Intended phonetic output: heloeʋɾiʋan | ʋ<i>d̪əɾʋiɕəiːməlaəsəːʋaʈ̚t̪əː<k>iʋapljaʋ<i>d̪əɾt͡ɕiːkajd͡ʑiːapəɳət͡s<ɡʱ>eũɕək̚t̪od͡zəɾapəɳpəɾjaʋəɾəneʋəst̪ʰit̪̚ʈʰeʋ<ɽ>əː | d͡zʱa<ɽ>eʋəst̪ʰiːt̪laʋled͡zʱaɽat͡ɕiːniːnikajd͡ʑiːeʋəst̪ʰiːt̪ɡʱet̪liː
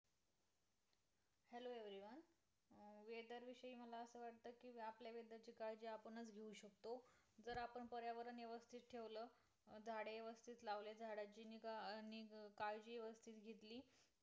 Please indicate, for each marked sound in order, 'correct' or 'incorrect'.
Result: incorrect, correct, incorrect, correct, incorrect, correct

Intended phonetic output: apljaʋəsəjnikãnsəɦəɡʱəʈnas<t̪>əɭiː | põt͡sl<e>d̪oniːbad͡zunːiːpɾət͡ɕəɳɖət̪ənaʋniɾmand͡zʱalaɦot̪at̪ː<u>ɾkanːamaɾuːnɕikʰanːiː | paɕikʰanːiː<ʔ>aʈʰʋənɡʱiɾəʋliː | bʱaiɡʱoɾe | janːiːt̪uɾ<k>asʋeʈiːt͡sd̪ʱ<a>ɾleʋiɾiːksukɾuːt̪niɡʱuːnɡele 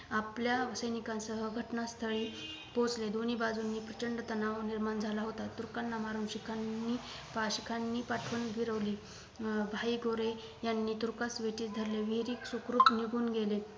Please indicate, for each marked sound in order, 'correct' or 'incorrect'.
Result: incorrect, correct, correct, incorrect, correct, incorrect

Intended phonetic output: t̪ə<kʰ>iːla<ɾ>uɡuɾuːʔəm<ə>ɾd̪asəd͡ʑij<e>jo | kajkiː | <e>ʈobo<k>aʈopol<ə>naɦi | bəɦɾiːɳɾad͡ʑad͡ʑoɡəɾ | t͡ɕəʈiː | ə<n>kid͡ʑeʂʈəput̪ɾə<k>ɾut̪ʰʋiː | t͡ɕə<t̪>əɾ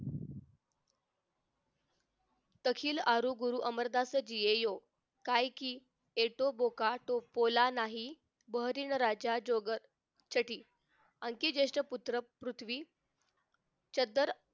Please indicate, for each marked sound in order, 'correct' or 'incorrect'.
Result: correct, correct, correct, correct, correct, correct, incorrect, incorrect, incorrect, incorrect

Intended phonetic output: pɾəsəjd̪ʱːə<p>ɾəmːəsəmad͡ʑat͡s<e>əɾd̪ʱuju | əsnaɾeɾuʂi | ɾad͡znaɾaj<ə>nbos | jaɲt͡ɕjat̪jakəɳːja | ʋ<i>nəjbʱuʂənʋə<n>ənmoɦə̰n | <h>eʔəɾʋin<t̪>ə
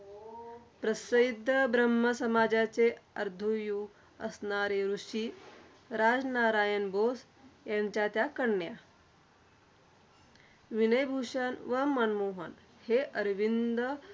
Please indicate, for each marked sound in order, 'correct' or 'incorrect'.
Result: incorrect, correct, correct, correct, incorrect, correct, incorrect

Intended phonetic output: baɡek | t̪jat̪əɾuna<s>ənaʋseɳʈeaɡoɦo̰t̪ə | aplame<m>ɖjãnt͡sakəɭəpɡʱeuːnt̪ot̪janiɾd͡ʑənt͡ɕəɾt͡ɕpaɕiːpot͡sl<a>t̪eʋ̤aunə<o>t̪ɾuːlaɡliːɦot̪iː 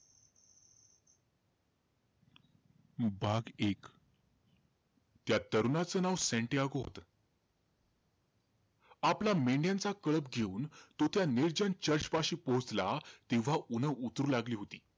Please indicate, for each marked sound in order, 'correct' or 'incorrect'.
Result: incorrect, incorrect, correct, incorrect

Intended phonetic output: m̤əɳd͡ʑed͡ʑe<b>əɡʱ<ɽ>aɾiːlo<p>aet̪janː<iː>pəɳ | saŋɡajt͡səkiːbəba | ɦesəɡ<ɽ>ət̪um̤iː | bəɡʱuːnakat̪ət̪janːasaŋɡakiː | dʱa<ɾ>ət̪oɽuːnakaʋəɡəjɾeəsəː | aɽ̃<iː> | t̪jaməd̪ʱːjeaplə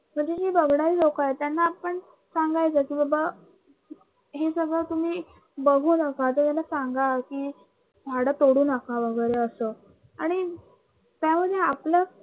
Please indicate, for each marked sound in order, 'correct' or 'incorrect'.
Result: correct, correct, incorrect, incorrect, incorrect, incorrect, incorrect

